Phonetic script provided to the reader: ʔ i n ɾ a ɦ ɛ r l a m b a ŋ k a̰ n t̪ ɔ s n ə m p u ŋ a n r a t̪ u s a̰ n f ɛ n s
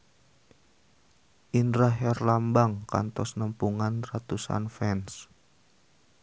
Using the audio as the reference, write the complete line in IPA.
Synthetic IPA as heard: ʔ i n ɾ a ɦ ɛ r l a m b a ŋ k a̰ n t̪ ɔ s n ə m p u ŋ a n r a t̪ u s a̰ n f ɛ n s